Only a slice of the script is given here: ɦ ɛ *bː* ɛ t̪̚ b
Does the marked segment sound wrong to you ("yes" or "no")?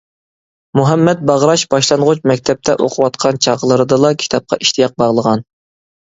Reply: yes